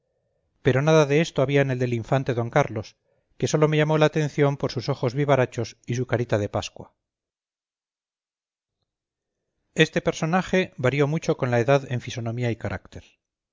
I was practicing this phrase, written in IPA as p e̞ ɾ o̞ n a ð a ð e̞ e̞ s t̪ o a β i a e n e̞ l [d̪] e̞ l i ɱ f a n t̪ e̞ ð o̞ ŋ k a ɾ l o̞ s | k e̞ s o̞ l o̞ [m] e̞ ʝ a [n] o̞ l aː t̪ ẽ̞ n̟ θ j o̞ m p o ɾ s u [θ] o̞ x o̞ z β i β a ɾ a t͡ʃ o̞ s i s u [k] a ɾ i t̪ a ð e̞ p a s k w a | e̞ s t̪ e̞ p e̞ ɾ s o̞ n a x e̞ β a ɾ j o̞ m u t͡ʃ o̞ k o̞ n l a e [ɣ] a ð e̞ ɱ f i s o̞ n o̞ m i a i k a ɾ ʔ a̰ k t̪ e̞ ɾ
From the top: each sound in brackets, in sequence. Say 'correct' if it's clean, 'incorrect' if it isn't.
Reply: correct, correct, incorrect: m, incorrect: s, correct, incorrect: ð

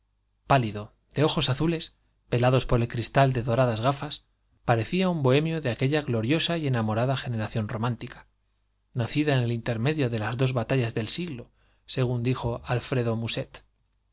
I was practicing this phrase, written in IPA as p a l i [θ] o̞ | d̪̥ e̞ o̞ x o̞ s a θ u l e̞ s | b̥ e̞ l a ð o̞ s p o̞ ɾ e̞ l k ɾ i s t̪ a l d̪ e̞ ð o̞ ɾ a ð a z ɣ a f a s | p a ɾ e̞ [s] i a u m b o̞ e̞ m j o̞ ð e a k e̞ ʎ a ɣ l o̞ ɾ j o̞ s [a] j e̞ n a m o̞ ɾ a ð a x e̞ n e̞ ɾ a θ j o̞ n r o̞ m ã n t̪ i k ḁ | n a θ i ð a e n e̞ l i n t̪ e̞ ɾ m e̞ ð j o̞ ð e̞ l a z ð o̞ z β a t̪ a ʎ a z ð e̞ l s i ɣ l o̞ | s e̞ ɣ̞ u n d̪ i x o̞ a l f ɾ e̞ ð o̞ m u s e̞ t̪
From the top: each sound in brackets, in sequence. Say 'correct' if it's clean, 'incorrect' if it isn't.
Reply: incorrect: ð, incorrect: θ, correct

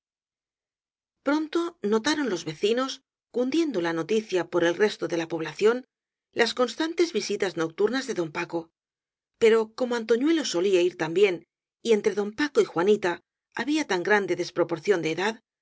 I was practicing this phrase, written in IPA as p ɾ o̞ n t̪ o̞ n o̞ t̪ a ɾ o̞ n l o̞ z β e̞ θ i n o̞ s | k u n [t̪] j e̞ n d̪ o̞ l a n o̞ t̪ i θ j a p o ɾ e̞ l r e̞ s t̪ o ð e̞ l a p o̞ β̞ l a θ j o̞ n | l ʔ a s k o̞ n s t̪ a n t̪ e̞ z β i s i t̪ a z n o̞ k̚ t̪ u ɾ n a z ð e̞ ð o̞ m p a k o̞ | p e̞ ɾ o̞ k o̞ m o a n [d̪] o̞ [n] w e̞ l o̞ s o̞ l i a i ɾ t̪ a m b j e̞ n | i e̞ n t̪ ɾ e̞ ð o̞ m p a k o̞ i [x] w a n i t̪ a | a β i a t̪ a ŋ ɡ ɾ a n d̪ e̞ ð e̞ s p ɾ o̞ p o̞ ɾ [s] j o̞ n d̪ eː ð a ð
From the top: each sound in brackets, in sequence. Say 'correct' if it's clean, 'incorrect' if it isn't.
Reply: incorrect: d̪, incorrect: t̪, incorrect: ɲ, correct, incorrect: θ

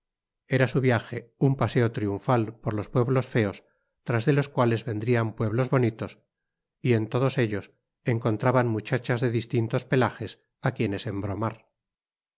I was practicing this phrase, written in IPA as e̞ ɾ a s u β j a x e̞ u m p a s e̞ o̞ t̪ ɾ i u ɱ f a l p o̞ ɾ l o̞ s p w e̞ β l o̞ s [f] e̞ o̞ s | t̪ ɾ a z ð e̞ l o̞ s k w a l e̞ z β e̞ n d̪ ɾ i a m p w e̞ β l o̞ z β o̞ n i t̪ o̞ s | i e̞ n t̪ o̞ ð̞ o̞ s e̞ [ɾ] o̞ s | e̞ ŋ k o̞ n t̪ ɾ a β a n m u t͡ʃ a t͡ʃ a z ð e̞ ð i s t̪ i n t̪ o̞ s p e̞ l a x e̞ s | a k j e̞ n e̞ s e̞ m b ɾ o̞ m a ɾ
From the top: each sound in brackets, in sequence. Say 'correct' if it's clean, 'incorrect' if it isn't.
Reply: correct, incorrect: ʎ

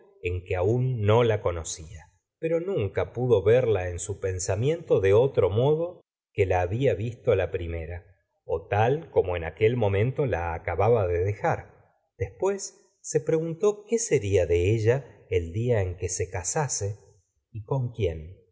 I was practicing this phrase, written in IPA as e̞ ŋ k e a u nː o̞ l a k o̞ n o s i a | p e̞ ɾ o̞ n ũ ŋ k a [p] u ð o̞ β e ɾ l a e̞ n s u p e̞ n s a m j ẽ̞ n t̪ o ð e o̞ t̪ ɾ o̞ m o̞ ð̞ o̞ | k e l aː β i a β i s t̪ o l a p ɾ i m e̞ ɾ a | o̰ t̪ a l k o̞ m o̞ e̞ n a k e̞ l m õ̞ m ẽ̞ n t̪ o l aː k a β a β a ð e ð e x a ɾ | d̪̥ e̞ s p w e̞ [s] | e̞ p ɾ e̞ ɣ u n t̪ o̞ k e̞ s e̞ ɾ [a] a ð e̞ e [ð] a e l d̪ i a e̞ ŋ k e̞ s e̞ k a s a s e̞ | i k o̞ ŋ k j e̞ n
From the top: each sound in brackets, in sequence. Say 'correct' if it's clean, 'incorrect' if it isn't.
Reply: correct, incorrect: sː, incorrect: i, incorrect: ʒ

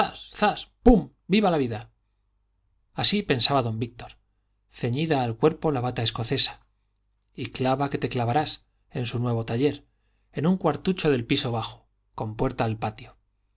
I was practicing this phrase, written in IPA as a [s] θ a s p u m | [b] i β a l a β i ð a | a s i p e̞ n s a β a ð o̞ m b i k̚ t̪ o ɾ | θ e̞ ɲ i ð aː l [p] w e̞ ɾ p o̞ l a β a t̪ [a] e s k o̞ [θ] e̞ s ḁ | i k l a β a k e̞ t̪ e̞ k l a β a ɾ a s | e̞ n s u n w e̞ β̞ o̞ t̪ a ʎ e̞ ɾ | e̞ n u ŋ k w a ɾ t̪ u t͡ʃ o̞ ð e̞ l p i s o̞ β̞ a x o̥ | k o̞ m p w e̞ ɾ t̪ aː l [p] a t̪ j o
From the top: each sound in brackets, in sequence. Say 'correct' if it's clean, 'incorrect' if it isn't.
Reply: correct, correct, incorrect: k, correct, correct, correct

